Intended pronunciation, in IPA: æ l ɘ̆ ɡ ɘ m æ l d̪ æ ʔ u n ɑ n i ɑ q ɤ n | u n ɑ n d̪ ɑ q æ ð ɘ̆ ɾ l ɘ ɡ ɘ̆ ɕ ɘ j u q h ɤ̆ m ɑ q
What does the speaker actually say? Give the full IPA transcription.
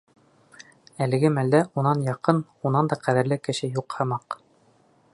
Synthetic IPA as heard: æ l ɘ̆ ɡ ɘ m æ l d̪ æ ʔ u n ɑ n j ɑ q ɤ n | u n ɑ n d̪ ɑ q æ ð ɘ̆ ɾ l ɘ k ɘ̆ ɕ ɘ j u q h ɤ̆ m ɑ q